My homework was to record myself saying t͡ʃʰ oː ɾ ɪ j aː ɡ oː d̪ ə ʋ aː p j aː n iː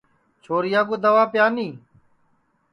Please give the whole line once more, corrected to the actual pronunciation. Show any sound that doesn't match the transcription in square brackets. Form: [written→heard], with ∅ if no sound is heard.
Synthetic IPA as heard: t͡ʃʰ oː ɾ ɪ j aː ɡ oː d̪ ə ʋ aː p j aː n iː